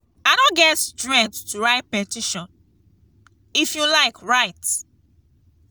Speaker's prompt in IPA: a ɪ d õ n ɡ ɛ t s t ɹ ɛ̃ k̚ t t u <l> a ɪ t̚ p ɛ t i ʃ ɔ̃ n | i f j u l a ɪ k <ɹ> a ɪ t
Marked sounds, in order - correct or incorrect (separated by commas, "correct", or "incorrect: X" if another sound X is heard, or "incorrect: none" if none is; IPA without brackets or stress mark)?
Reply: incorrect: ɹ, correct